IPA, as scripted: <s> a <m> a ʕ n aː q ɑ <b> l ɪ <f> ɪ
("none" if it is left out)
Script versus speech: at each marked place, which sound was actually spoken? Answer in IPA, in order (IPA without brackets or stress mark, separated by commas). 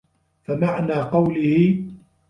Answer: f, m, w, h